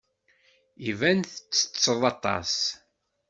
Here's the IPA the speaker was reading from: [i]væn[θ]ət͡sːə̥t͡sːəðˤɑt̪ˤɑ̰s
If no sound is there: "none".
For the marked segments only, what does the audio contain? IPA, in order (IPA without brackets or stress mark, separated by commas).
i, θ